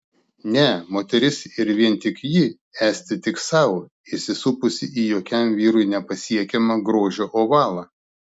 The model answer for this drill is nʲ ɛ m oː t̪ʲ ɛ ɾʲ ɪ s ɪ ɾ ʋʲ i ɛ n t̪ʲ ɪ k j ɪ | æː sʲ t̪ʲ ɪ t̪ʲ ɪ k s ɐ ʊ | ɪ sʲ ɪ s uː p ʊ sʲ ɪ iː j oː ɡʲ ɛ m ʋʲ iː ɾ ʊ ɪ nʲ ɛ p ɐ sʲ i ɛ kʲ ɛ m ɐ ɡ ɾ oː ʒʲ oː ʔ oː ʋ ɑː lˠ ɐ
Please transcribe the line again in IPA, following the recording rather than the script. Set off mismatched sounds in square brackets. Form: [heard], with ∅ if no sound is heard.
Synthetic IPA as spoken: nʲ ɛ m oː t̪ʲ ɛ ɾʲ ɪ s ɪ ɾ ʋʲ i ɛ n t̪ʲ ɪ k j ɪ | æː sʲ t̪ʲ ɪ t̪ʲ ɪ k s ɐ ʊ | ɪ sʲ ɪ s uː p ʊ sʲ ɪ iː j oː [kʲ] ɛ m ʋʲ iː ɾ ʊ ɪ nʲ ɛ p ɐ sʲ i ɛ kʲ ɛ m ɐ ɡ ɾ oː ʒʲ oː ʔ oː ʋ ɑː lˠ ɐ